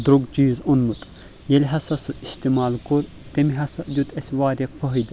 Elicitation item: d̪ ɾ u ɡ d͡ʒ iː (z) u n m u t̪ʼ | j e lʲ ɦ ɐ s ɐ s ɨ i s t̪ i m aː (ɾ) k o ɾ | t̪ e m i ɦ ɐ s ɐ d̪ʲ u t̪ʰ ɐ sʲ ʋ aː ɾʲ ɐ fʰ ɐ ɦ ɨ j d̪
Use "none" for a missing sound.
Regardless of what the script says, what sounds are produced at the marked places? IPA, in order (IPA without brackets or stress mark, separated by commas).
z, l